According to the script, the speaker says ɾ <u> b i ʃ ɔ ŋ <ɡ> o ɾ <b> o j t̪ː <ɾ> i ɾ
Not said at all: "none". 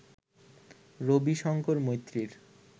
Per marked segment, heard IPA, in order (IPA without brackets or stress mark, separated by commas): o, k, m, ɾ